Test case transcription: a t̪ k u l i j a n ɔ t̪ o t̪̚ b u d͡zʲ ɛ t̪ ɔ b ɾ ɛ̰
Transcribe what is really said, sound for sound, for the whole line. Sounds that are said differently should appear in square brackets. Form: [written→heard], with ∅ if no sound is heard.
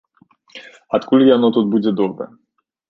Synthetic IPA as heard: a t̪ k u l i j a n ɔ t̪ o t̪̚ b u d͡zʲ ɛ [t̪→d̪] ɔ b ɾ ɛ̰

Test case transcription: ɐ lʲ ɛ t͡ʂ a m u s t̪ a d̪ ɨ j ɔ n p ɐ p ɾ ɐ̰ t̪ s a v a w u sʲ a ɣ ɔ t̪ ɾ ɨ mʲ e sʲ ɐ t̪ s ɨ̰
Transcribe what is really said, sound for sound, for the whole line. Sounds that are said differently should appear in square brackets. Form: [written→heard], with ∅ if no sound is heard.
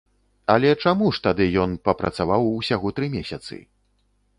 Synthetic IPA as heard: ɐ lʲ ɛ t͡ʂ a m u [s→ʂ] t̪ a d̪ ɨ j ɔ n p ɐ p ɾ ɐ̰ t̪ s a v a w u sʲ a ɣ ɔ t̪ ɾ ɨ mʲ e sʲ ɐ t̪ s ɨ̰

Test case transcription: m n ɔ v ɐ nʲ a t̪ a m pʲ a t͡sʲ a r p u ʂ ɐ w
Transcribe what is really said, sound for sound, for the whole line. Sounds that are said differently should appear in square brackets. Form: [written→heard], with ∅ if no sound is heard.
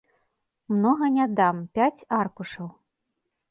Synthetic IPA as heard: m n ɔ [v→ɣ] ɐ nʲ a [t̪→d̪] a m pʲ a t͡sʲ a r [p→k] u ʂ ɐ w

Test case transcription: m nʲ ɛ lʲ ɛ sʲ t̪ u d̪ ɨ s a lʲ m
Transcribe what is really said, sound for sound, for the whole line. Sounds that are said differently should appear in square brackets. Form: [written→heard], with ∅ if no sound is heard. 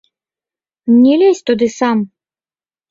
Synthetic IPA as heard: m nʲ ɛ lʲ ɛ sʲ t̪ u d̪ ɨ s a [lʲ→∅] m

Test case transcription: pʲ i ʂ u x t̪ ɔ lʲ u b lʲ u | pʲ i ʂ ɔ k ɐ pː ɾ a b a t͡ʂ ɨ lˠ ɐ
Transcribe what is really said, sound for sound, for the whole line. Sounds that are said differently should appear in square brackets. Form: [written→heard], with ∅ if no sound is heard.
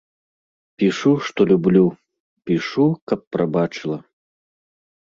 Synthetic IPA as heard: pʲ i ʂ u [x→ʂ] t̪ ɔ lʲ u b lʲ u | pʲ i ʂ [ɔ→u] k ɐ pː ɾ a b a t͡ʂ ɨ lˠ ɐ

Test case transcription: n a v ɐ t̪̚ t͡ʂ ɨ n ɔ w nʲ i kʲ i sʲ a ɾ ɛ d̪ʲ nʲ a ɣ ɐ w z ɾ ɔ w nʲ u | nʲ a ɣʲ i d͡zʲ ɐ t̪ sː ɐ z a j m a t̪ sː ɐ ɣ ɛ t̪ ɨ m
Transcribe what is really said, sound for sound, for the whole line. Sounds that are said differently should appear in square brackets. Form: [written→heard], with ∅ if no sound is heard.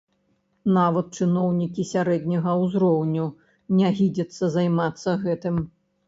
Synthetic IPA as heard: n a v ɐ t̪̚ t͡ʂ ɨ n ɔ w nʲ i kʲ i sʲ a ɾ ɛ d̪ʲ nʲ [a→ɐ] ɣ ɐ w z ɾ ɔ w nʲ u | nʲ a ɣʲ i d͡zʲ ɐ t̪ sː ɐ z a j m a t̪ sː ɐ ɣ ɛ t̪ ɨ m

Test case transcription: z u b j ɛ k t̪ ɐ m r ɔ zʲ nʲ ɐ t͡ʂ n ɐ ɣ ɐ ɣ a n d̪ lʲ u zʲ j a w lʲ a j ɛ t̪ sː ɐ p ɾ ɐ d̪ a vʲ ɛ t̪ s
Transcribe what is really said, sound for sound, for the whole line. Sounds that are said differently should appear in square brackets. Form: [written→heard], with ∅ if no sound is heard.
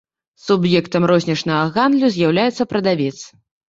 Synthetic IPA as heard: [z→s] u b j ɛ k t̪ ɐ m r ɔ zʲ nʲ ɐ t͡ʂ n ɐ ɣ ɐ ɣ a n d̪ lʲ u zʲ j a w lʲ a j ɛ t̪ sː ɐ p ɾ ɐ d̪ a vʲ ɛ t̪ s

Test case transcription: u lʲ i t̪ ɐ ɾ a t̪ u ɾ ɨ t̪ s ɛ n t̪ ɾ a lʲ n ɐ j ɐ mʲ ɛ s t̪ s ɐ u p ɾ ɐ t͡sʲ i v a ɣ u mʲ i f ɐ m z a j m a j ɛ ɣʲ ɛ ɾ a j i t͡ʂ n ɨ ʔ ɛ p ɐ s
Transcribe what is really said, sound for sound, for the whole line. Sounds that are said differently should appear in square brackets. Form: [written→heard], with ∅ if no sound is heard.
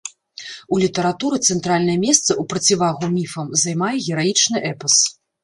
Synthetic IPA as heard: u lʲ i t̪ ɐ ɾ a t̪ u ɾ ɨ t̪ s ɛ n t̪ ɾ a lʲ n ɐ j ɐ mʲ ɛ s t̪ s ɐ u p ɾ ɐ t͡sʲ i v a ɣ u mʲ i f ɐ m z a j m a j ɛ ɣʲ ɛ ɾ a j i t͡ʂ n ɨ ʔ ɛ p ɐ s

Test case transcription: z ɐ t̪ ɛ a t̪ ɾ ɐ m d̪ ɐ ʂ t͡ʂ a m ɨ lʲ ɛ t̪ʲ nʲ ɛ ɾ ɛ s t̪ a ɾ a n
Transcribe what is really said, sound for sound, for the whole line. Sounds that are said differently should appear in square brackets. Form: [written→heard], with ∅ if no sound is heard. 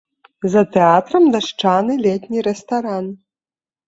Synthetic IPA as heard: z ɐ t̪ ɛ a t̪ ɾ ɐ m d̪ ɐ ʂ t͡ʂ a [m→n] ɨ lʲ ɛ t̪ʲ nʲ [ɛ→i] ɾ ɛ s t̪ a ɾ a n

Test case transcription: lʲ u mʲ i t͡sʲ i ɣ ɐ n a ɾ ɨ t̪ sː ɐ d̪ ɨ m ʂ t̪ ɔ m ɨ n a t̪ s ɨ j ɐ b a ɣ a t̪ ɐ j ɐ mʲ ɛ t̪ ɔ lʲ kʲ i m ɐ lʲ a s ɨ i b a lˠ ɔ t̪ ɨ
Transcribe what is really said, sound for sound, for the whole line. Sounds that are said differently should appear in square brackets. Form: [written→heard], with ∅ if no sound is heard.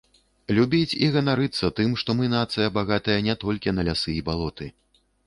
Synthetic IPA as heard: lʲ u [mʲ→bʲ] i t͡sʲ i ɣ ɐ n a ɾ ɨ t̪ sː ɐ [d̪→t̪] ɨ m ʂ t̪ ɔ m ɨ n a t̪ s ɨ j ɐ b a ɣ a t̪ ɐ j ɐ [mʲ→nʲ] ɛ t̪ ɔ lʲ kʲ i [m→n] ɐ lʲ a s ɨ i b a lˠ ɔ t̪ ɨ

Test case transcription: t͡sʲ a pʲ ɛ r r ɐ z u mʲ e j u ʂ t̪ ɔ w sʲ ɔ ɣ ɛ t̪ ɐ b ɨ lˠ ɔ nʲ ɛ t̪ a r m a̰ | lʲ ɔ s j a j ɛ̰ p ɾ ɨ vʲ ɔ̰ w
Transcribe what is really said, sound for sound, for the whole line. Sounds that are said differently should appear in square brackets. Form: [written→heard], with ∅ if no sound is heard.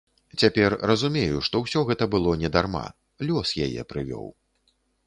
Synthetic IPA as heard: t͡sʲ a pʲ ɛ r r ɐ z u mʲ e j u ʂ t̪ ɔ w sʲ ɔ ɣ ɛ t̪ ɐ b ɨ lˠ ɔ nʲ ɛ [t̪→d̪] a r m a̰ | lʲ ɔ s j a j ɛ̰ p ɾ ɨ vʲ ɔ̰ w

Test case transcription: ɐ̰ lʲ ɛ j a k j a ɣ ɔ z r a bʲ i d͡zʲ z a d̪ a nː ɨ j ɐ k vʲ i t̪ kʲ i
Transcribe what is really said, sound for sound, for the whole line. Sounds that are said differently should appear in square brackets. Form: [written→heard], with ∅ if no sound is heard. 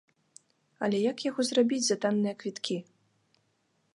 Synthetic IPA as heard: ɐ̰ lʲ ɛ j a k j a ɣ ɔ z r a bʲ i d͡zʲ z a [d̪→t̪] a nː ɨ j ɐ k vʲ i t̪ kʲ i

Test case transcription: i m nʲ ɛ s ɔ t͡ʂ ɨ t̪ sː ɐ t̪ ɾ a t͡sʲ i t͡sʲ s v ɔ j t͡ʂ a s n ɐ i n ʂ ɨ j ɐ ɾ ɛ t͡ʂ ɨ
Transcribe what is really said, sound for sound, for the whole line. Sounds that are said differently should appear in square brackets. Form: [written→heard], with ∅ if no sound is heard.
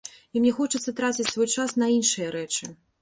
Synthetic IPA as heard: i m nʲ ɛ [s→x] ɔ t͡ʂ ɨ t̪ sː ɐ t̪ ɾ a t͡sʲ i t͡sʲ s v ɔ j t͡ʂ a s n ɐ i n ʂ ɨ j ɐ ɾ ɛ t͡ʂ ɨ

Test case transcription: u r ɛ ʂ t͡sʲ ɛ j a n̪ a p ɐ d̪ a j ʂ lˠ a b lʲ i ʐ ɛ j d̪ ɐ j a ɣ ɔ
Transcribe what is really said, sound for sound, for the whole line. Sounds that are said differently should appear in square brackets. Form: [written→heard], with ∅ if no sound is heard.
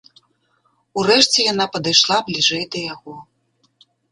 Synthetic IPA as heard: u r ɛ ʂ t͡sʲ ɛ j a n̪ a p ɐ d̪ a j ʂ lˠ a b lʲ i ʐ ɛ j d̪ ɐ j a ɣ ɔ

